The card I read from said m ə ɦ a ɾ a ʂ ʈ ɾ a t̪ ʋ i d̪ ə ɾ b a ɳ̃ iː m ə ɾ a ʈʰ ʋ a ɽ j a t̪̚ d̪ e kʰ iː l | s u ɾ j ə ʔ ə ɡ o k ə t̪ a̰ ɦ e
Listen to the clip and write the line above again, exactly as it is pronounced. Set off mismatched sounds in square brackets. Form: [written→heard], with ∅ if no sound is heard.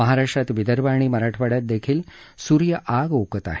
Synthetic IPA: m ə ɦ a ɾ a ʂ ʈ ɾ a t̪ ʋ i d̪ ə ɾ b a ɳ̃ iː m ə ɾ a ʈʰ ʋ a ɽ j a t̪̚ d̪ e kʰ iː l | s u ɾ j ə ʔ [ə→a] ɡ o k ə t̪ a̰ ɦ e